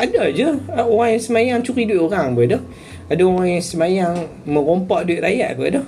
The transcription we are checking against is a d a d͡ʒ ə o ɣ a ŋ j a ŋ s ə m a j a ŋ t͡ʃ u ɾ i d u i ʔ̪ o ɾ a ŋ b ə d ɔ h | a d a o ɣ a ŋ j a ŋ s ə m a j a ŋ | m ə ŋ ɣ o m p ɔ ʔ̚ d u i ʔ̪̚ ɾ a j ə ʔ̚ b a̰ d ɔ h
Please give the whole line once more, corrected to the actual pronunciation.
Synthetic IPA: a d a d͡ʒ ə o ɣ a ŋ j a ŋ s ə m a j a ŋ t͡ʃ u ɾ i d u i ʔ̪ o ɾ a ŋ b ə d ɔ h | a d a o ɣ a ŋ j a ŋ s ə m a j a ŋ | m ə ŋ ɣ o m p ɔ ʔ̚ d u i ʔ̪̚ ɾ a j a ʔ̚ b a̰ d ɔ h